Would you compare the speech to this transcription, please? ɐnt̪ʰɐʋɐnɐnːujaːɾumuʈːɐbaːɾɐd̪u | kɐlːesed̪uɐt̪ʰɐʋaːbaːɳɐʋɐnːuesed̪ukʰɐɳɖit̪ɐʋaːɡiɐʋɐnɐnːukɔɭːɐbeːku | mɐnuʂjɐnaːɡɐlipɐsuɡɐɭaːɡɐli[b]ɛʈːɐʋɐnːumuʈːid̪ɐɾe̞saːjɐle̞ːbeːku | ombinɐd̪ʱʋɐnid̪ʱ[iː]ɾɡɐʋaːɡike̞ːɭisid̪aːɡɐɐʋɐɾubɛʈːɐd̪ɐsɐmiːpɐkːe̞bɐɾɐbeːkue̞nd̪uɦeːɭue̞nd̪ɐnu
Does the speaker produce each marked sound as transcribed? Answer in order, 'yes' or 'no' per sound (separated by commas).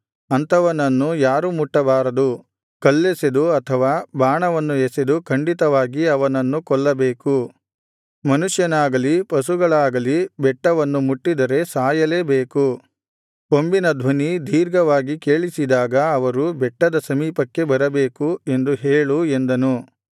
yes, yes